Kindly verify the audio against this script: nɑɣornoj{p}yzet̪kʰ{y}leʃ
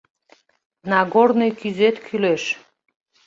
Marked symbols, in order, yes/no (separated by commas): no, yes